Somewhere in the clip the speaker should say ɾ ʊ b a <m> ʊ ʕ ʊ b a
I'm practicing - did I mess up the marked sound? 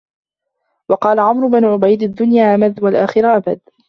yes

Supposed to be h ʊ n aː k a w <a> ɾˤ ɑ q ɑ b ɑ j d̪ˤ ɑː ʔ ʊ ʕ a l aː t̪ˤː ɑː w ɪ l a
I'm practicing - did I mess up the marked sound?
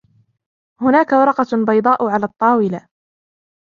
yes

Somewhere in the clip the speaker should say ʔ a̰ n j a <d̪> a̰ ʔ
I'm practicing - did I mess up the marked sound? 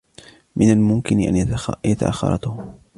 yes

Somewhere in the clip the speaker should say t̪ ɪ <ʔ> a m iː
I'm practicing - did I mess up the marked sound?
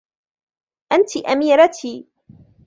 no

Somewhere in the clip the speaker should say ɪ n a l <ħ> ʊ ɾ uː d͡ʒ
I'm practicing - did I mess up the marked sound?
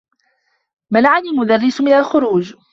yes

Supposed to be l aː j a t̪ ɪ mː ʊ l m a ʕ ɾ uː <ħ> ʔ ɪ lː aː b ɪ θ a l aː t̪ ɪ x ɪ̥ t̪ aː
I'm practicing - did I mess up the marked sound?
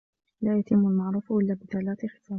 yes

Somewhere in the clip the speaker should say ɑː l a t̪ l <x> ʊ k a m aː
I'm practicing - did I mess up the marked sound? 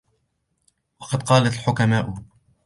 yes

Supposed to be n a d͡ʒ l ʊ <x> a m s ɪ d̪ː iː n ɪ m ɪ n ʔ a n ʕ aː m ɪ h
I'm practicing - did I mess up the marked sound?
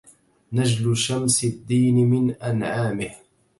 yes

